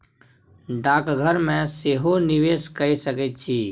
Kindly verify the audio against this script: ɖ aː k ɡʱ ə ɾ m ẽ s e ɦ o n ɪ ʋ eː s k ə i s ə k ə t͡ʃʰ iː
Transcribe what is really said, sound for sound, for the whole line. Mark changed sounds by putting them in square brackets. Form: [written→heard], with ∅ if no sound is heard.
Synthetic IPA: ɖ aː k ɡʱ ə ɾ m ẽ s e ɦ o n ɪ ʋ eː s k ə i s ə k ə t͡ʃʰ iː

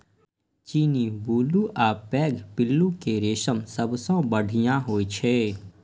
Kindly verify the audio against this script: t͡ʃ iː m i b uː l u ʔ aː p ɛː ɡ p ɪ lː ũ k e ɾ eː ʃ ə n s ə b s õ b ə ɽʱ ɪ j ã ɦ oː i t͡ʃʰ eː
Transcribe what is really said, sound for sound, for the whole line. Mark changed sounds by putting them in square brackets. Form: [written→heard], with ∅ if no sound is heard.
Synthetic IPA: t͡ʃ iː [m→n] i b uː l u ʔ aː p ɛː ɡ p ɪ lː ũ k e ɾ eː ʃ ə [n→m] s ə b s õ b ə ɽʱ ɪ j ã ɦ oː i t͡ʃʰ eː

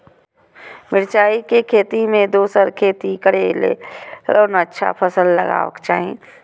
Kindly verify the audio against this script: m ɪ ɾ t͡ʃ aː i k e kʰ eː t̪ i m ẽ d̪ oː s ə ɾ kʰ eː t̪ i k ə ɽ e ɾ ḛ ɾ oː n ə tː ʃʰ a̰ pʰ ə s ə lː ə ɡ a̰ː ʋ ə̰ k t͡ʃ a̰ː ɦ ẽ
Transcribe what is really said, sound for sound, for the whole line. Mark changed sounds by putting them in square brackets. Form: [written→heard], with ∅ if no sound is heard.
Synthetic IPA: m ɪ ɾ t͡ʃ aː i k e kʰ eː t̪ i m ẽ d̪ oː s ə ɾ kʰ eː t̪ i k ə ɽ e [ɾ→l] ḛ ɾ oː n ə tː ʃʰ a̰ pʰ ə s ə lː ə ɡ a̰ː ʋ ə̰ k t͡ʃ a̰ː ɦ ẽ

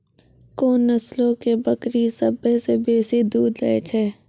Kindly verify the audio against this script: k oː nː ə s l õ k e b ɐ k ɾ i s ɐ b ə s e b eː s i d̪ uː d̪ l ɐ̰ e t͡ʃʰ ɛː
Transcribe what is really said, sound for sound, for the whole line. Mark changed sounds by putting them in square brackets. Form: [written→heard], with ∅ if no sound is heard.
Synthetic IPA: k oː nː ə s l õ k e b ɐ k ɾ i s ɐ b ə s e b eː s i d̪ uː d̪ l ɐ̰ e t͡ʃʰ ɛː

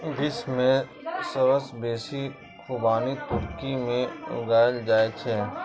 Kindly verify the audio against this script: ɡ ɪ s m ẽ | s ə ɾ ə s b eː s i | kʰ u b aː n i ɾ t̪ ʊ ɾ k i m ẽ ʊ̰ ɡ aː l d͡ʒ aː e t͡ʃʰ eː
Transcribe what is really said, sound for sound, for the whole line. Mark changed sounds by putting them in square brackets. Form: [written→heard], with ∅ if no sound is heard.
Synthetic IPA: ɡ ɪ s m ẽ | s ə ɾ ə s b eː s i | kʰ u b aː n i [ɾ→∅] t̪ ʊ ɾ k i m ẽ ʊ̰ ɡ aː l d͡ʒ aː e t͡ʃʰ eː

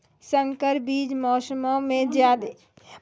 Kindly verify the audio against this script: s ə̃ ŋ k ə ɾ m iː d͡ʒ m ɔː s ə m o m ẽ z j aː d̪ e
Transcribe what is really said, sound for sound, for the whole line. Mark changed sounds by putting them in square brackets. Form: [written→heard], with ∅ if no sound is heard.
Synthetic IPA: s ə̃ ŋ k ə ɾ [m→b] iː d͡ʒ m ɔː s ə m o m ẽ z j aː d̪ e

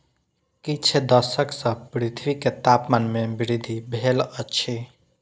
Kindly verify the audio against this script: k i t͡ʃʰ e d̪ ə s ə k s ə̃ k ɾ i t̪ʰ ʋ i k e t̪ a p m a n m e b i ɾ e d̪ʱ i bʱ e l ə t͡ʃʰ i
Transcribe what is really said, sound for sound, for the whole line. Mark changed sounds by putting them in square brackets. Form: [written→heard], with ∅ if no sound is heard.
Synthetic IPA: k i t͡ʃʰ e d̪ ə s ə k s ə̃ [k→p] ɾ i t̪ʰ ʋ i k e t̪ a p m a n m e b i ɾ [e→i] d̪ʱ i bʱ e l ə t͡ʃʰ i

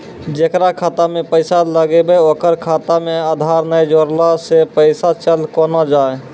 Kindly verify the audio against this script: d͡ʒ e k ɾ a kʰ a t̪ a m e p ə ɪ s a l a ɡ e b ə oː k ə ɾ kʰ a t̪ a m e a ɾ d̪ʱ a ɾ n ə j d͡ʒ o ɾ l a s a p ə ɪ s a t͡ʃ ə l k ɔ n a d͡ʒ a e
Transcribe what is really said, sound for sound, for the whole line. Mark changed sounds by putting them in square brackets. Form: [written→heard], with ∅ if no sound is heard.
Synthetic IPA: d͡ʒ e k ɾ a kʰ a t̪ a m e p ə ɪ s a l [a→ə] ɡ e b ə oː k ə ɾ kʰ a t̪ a m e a [ɾ→∅] d̪ʱ a ɾ n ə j d͡ʒ o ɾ l a s [a→e] p ə ɪ s a t͡ʃ ə l k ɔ n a d͡ʒ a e

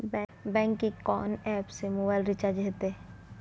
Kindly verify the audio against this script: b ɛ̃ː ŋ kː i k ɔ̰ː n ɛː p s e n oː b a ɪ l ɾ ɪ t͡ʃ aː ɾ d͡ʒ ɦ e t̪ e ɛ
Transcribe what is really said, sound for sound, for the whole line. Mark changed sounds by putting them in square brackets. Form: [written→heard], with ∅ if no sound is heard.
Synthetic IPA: b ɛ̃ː ŋ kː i k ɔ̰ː n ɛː p s e [n→m] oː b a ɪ l ɾ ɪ t͡ʃ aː ɾ d͡ʒ ɦ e t̪ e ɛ

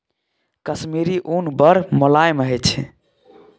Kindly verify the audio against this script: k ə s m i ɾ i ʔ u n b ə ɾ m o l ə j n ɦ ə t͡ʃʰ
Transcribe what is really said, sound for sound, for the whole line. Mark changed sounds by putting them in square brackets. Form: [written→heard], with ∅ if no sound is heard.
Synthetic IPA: k ə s m i ɾ i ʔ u n b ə ɾ m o l [ə→a] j [n→m] ɦ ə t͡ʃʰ

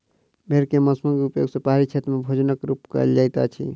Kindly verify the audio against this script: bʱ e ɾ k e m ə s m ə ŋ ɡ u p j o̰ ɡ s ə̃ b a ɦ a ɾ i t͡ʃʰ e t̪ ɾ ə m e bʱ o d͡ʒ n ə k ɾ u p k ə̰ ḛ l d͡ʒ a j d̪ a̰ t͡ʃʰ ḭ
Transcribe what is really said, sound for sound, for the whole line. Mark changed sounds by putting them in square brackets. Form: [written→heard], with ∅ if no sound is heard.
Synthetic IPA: bʱ e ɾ k e m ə s m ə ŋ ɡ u p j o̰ ɡ s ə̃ [b→p] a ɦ a ɾ i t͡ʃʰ e t̪ ɾ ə m e bʱ o d͡ʒ n ə k ɾ u p k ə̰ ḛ l d͡ʒ a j [d̪→t̪] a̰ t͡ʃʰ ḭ

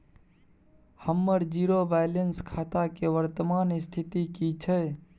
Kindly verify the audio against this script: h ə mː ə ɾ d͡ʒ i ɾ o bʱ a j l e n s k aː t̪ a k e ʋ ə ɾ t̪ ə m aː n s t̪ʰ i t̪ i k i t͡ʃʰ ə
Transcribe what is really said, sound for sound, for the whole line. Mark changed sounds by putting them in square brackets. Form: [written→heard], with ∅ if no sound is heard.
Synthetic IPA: h ə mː ə ɾ d͡ʒ i ɾ o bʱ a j l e n s [k→kʰ] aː t̪ a k e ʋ ə ɾ t̪ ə m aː n s t̪ʰ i t̪ i k i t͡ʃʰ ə

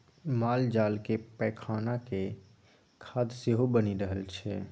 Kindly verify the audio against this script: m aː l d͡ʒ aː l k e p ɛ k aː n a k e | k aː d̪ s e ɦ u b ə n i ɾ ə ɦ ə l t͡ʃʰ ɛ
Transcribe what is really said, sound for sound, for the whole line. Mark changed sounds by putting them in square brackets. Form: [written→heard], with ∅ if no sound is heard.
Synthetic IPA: m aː l d͡ʒ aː l k e p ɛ [k→kʰ] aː n a k e | [k→kʰ] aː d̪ s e ɦ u b ə n i ɾ ə ɦ ə l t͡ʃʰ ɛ

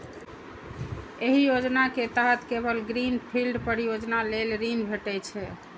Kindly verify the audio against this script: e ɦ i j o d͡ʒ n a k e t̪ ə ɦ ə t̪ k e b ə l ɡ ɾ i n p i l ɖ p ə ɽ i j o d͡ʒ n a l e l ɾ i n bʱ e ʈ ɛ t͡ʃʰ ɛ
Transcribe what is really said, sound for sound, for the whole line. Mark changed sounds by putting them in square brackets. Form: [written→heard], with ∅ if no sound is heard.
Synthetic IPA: e ɦ i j o d͡ʒ n a k e t̪ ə ɦ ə t̪ k e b ə l ɡ ɾ i n [p→pʰ] i l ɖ p ə [ɽ→ɾ] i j o d͡ʒ n a l e l ɾ i n bʱ e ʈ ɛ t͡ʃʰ ɛ

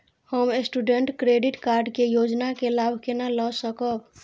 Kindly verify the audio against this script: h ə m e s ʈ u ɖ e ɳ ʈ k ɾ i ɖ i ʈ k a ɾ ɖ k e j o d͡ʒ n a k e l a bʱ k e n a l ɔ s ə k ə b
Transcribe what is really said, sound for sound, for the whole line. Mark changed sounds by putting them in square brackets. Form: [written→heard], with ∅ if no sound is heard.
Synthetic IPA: h ə m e s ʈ u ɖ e ɳ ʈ k ɾ [i→e] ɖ i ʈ k a ɾ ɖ k e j o d͡ʒ n a k e l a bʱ k e n a l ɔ s ə k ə b

